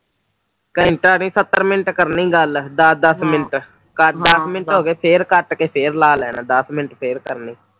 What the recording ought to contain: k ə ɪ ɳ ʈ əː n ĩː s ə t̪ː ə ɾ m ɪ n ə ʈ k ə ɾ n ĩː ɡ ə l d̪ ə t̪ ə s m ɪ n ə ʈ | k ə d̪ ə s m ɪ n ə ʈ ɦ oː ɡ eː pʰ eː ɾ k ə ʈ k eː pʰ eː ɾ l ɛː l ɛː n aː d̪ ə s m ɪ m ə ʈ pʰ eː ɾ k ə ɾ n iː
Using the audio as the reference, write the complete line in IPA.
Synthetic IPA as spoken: k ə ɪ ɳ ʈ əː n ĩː s ə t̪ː ə ɾ m ɪ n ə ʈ k ə ɾ n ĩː ɡ ə l d̪ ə d̪ ə s m ɪ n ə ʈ | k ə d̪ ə s m ɪ n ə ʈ ɦ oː ɡ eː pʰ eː ɾ k ə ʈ k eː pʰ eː ɾ l aː l ɛː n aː d̪ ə s m ɪ n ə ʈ pʰ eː ɾ k ə ɾ n iː

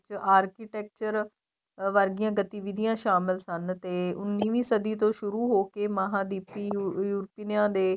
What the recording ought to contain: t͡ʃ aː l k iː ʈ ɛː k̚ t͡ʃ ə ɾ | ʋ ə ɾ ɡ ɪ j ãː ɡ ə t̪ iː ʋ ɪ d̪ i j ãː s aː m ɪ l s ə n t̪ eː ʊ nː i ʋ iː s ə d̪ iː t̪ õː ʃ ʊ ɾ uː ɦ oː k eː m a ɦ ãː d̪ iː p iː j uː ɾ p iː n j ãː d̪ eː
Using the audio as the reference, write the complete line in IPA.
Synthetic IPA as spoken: t͡ʃ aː ɾ k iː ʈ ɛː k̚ t͡ʃ ə ɾ | ʋ ə ɾ ɡ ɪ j ãː ɡ ə t̪ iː ʋ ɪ d̪ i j ãː ʃ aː m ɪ l s ə n t̪ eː ʊ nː iː ʋ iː s ə d̪ iː t̪ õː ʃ ʊ ɾ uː ɦ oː k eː m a ɦ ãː d̪ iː p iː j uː ɾ p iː n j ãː d̪ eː

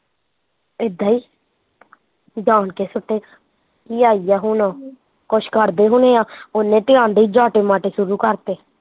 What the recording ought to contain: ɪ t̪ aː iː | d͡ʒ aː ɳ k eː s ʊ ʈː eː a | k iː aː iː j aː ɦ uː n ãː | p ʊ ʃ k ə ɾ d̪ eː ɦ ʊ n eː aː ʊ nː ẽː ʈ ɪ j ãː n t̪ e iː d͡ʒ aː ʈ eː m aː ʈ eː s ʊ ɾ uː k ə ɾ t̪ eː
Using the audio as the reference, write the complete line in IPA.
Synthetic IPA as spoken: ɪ d̪ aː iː | d͡ʒ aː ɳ k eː s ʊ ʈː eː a | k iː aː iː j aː ɦ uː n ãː | k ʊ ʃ k ə ɾ d̪ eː ɦ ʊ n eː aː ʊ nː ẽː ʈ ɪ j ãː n d̪ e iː d͡ʒ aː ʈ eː m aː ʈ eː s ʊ ɾ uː k ə ɾ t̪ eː

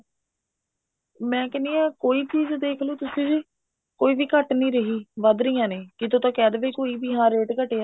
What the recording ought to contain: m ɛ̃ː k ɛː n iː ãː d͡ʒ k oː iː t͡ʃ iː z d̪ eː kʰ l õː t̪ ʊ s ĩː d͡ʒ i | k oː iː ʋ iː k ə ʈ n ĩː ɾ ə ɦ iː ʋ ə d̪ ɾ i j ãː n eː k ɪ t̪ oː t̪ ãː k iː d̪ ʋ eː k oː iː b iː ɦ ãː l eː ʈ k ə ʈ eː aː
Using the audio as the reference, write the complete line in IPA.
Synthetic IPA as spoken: m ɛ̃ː k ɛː n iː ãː k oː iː t͡ʃ iː z d̪ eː kʰ l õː t̪ ʊ s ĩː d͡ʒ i | k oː iː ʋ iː k ə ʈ n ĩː ɾ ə ɦ iː ʋ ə d̪ ɾ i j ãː n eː k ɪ t̪ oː t̪ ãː k ɛː d̪ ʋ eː k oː iː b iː ɦ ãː ɾ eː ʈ k ə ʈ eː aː

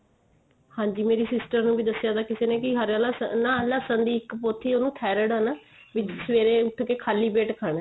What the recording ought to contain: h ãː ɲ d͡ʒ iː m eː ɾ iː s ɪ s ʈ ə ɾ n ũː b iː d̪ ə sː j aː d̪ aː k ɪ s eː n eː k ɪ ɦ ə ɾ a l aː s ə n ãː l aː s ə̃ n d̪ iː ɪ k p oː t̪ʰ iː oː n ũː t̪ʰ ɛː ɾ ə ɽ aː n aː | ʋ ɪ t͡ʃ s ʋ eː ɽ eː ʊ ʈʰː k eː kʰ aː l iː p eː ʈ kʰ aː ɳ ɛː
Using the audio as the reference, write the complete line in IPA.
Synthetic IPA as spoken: h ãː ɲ d͡ʒ iː m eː ɾ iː s ɪ s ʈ ə ɾ n ũː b iː d̪ ə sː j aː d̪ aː k ɪ s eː n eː k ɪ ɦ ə ɾ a l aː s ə n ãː l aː s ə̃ n d̪ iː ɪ k p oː t̪ʰ iː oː n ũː t̪ʰ ɛː ɾ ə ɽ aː n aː | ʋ ɪ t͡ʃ s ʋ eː ɾ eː ʊ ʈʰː k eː kʰ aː l iː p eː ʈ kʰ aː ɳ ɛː

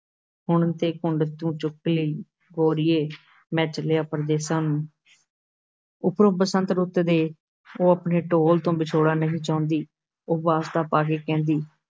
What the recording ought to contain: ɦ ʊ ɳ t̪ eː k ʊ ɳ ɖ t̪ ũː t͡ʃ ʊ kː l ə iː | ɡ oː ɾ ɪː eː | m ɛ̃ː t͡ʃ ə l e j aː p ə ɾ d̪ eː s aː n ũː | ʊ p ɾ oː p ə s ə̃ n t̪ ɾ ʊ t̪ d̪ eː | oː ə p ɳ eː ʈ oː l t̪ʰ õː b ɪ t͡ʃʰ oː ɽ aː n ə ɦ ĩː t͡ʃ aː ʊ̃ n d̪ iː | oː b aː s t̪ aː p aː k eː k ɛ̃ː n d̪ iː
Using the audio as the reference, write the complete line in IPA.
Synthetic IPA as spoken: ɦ ʊ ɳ t̪ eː k ʊ ɳ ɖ t̪ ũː t͡ʃ ʊ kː l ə iː | ɡ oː ɾ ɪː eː | m ɛ̃ː t͡ʃ ə l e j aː p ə ɾ d̪ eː s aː n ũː | ʊ p ɾ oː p ə s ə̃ n t̪ ɾ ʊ t̪ d̪ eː | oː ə p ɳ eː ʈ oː l t̪ õː b ɪ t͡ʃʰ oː ɽ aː n ə ɦ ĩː t͡ʃ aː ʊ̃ n d̪ iː | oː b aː s t̪ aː p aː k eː k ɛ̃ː n d̪ iː

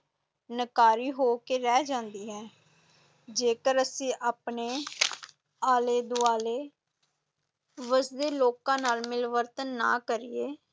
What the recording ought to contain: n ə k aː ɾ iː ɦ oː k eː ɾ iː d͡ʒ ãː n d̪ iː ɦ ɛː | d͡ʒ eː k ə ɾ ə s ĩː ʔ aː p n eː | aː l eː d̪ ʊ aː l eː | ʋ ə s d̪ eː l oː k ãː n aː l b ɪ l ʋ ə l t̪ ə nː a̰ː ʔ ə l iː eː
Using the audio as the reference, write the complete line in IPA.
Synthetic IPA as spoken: n ə k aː ɾ iː ɦ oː k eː ɾ ɛː d͡ʒ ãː n d̪ iː ɦ ɛː | d͡ʒ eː k ə ɾ ə s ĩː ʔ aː p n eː | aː l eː d̪ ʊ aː l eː | ʋ ə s d̪ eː l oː k ãː n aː l m ɪ l ʋ ə ɾ t̪ ə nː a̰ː k ə ɾ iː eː

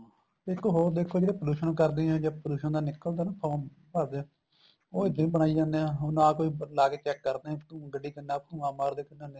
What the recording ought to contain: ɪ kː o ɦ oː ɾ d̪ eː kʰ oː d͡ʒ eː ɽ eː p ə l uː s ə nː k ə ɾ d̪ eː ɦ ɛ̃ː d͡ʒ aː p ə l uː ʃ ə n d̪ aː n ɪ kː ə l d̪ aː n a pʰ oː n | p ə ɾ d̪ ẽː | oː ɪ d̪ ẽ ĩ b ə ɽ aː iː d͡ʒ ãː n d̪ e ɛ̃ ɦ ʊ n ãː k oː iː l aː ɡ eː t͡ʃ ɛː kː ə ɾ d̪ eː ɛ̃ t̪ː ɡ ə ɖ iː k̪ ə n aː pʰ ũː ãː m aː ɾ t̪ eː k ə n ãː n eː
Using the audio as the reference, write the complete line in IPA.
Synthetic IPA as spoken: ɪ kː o ɦ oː ɾ d̪ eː kʰ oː d͡ʒ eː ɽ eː p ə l uː ʃ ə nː k ə ɾ d̪ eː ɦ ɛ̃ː d͡ʒ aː p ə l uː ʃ ə n d̪ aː n ɪ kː ə l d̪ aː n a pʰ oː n | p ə ɾ d̪ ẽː | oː ɪ d̪ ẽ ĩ b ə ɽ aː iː d͡ʒ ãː n d̪ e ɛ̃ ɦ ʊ n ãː k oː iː l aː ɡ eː t͡ʃ ɛː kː ə ɾ d̪ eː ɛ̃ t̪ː ɡ ə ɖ iː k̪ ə n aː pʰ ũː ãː m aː ɾ d̪ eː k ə n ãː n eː

